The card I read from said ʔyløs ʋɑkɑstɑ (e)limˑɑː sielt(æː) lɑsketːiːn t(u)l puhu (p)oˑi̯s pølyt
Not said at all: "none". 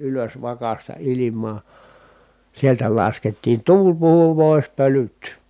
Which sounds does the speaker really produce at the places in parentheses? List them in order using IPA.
i, æ, uː, p

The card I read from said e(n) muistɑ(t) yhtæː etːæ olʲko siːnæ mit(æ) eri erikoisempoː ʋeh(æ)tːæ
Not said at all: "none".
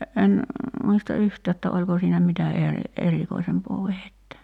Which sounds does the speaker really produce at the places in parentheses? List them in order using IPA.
n, none, æ, e

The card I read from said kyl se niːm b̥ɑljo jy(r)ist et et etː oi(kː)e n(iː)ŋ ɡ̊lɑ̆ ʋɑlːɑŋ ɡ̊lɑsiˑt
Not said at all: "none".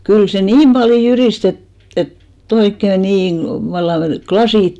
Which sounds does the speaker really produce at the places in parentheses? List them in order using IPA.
r, kː, iː

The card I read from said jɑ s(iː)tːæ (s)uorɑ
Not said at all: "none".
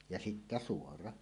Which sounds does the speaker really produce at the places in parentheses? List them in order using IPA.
i, s

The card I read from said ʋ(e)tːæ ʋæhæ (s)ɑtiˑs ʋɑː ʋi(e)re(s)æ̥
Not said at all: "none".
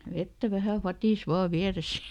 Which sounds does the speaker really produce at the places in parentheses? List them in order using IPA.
e, f, æ, s

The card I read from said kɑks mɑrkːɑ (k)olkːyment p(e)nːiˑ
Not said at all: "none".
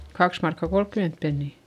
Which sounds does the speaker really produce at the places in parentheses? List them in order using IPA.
k, e

